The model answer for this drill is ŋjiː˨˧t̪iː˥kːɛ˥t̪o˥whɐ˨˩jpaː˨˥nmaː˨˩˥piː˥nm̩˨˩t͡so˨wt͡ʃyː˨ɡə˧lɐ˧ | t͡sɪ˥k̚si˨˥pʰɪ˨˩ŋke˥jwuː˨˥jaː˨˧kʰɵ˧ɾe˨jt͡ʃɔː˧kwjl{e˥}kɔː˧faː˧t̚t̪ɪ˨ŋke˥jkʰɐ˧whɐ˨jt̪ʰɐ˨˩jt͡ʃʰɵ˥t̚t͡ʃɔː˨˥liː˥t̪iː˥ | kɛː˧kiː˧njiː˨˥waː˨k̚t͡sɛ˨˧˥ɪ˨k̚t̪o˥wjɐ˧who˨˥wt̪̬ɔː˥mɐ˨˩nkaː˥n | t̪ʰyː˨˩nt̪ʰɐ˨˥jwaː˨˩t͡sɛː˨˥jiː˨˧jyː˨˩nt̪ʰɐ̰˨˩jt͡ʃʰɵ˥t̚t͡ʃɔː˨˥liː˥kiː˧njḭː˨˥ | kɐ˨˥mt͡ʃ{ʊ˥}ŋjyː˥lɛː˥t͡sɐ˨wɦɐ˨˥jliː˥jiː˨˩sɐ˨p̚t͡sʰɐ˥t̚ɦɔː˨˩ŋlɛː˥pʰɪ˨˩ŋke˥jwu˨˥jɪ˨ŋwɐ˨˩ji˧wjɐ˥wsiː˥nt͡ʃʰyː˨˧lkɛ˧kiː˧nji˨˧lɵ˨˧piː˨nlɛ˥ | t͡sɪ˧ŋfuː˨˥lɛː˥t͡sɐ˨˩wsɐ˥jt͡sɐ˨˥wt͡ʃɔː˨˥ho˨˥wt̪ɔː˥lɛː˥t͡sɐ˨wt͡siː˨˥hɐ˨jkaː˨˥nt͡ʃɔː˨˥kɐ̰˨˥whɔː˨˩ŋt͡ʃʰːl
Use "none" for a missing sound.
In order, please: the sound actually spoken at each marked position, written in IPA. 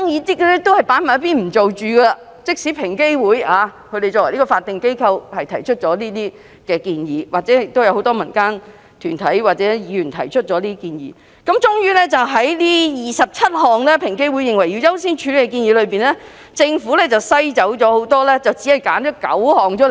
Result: i˥, ʊ˥

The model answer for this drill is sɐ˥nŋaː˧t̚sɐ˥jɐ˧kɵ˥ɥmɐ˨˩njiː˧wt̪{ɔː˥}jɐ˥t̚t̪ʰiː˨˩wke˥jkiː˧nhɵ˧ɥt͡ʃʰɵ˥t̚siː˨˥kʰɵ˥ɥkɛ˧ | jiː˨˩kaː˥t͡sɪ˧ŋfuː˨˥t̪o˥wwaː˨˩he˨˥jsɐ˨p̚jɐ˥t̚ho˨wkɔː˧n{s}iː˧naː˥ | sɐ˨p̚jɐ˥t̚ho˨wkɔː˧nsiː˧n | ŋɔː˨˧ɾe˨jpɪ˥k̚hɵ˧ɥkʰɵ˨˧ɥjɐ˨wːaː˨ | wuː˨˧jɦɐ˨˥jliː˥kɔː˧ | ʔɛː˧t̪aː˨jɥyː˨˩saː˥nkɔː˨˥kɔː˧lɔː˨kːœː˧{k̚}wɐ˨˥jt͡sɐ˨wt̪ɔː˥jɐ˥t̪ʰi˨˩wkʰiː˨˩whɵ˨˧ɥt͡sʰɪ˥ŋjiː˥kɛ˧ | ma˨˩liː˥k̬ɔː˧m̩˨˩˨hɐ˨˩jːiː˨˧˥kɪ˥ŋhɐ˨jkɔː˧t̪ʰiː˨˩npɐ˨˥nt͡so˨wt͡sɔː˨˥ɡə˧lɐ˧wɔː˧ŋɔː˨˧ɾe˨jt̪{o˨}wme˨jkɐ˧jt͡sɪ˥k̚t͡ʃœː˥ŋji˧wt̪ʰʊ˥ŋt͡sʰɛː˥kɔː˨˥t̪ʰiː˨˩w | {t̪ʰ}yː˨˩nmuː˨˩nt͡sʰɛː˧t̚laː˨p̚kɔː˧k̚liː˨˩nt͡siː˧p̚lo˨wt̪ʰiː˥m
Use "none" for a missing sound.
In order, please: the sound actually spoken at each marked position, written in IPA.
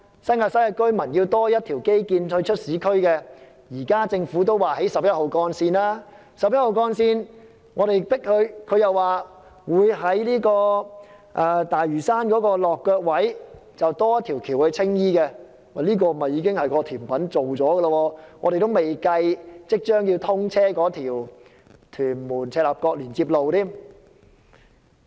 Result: ɔː˥, s, k̚, o˥, t̪ʰ

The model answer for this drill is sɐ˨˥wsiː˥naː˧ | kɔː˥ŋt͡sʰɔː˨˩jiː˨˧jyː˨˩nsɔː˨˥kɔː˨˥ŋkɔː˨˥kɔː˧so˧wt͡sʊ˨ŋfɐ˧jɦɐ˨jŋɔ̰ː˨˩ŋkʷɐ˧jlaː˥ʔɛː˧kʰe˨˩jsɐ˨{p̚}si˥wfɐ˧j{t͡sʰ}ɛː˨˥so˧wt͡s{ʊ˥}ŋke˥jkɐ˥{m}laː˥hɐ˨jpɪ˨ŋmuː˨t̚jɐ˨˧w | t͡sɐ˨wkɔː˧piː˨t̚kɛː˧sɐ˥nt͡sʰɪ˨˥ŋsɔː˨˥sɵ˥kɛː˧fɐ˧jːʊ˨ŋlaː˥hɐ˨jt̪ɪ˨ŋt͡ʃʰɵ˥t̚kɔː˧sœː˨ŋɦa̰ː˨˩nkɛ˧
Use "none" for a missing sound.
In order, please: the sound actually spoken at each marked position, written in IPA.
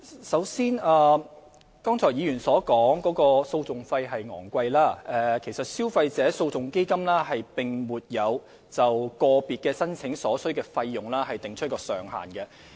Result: t̚, t͡s, ʊ˨, m

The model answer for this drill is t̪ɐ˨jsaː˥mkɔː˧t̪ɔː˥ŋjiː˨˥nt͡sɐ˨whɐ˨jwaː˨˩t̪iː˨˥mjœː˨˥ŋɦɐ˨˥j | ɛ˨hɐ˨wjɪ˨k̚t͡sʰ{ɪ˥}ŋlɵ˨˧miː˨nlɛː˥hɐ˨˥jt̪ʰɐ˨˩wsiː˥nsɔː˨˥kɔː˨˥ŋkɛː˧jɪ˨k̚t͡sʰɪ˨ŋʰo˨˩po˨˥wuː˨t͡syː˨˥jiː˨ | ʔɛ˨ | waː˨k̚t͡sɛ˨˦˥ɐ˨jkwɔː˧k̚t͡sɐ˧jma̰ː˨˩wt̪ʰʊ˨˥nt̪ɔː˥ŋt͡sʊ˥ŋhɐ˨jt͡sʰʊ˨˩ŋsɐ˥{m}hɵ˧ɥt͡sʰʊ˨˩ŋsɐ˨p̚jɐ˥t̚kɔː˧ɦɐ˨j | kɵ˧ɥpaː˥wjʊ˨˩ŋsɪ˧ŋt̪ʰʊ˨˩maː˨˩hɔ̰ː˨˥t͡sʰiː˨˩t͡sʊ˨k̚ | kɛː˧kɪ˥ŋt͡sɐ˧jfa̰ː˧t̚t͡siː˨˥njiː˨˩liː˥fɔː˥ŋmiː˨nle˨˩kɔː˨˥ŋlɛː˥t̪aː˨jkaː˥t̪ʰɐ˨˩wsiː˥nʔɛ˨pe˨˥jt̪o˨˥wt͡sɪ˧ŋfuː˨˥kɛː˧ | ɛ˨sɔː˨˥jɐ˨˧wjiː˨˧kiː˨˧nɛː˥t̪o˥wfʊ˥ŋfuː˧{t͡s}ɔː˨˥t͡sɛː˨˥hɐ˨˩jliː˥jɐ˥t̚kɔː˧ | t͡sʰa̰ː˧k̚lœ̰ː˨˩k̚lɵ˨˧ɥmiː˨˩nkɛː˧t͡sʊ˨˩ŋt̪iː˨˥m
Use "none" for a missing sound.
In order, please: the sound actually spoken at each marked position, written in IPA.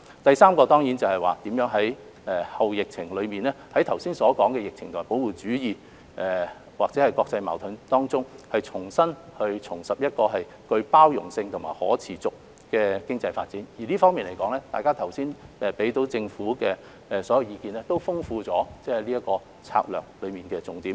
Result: ɪ˨˩, n, t͡s

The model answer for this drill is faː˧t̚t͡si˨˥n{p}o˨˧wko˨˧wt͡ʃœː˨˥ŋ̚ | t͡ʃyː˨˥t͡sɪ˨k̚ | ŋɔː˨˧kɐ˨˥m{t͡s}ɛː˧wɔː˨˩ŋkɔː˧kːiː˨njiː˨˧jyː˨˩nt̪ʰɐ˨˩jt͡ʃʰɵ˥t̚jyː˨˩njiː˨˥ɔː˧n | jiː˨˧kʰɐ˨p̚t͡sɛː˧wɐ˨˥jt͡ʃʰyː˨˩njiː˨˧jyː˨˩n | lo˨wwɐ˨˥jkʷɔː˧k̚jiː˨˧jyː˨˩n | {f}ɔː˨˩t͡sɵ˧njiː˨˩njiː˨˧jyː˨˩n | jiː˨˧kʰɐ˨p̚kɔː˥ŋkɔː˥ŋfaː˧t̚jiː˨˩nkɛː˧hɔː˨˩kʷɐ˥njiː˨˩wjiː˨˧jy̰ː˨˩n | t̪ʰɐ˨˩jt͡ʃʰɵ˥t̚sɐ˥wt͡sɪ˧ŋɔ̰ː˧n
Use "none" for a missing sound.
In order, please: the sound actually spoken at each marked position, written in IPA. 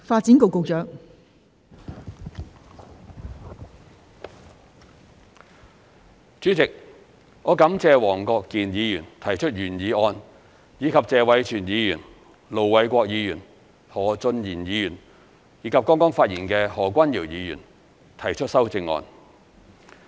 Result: k, t͡s, h

